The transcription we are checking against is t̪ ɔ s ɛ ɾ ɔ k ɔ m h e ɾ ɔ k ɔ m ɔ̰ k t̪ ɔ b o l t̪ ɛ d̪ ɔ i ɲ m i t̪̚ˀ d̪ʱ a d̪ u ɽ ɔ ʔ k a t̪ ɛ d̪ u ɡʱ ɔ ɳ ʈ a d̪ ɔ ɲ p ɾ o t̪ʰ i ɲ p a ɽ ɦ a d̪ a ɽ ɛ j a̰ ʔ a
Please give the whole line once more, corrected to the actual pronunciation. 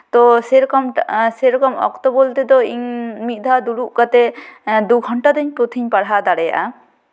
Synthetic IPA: t̪ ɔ s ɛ ɾ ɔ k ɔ m s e ɾ ɔ k ɔ m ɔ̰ k t̪ ɔ b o l t̪ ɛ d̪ ɔ i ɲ m i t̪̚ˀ d̪ʱ a d̪ u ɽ u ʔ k a t̪ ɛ d̪ u ɡʱ ɔ ɳ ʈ a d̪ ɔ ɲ p ɾ o t̪ʰ i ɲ p a ɽ ɦ a d̪ a ɽ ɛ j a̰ ʔ a